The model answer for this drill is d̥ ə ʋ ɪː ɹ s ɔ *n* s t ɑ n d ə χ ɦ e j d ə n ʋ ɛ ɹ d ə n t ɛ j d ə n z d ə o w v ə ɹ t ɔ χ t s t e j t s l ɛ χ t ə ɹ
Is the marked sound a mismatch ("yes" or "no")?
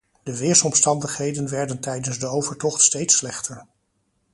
yes